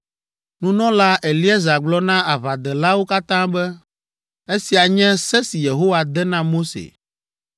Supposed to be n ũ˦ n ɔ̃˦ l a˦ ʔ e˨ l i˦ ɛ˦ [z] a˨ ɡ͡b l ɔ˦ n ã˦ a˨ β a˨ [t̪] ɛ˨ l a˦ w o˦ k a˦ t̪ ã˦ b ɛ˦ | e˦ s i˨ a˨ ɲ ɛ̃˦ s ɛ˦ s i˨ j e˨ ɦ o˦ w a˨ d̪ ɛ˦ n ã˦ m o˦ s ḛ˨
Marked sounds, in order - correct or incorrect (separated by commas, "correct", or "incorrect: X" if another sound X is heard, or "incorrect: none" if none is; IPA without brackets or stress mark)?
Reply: correct, incorrect: d̪